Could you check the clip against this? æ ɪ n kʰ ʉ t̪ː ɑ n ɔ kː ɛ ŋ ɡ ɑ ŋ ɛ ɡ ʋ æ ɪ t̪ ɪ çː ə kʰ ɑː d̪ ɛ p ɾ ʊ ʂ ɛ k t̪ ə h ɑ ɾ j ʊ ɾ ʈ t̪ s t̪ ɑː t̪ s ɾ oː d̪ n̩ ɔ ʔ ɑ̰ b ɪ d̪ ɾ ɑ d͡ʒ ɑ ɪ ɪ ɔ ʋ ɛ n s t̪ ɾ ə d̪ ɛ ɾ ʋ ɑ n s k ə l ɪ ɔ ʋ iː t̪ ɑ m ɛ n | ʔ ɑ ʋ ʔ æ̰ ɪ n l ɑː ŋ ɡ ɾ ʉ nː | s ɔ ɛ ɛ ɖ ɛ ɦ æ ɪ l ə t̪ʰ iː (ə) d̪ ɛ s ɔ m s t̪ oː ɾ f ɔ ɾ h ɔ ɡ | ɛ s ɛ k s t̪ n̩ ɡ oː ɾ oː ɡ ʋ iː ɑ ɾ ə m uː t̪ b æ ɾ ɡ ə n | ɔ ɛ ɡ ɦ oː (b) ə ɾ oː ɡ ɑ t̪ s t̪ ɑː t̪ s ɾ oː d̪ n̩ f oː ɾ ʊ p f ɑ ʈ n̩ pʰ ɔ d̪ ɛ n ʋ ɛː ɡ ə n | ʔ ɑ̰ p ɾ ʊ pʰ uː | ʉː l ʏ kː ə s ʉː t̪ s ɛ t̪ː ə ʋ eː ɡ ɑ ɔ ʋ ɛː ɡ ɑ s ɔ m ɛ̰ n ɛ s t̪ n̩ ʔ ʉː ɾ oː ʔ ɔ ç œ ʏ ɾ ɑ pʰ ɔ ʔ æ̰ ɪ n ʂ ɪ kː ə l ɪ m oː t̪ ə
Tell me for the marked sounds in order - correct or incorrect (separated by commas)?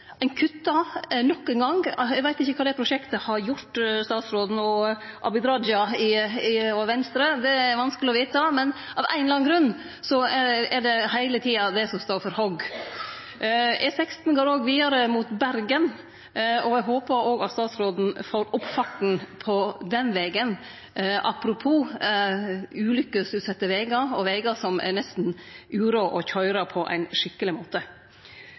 incorrect, incorrect